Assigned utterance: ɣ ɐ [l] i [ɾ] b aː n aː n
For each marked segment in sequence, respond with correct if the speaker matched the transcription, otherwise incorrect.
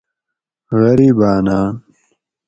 incorrect: ɾ, incorrect: none

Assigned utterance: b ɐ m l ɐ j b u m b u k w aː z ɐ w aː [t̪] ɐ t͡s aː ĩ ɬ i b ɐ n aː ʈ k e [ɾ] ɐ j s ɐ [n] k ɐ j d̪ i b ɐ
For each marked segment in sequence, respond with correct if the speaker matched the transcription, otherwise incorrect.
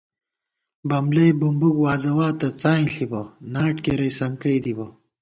correct, correct, incorrect: ŋ

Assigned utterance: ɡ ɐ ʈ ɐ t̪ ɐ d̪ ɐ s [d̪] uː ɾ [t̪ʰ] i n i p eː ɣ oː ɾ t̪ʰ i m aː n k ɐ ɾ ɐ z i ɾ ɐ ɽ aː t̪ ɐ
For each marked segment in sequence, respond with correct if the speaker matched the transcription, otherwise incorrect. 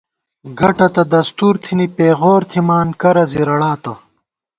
incorrect: t̪, correct

